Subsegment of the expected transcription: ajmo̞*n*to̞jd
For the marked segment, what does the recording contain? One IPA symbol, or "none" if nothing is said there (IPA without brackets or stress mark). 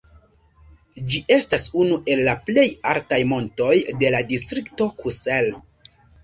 n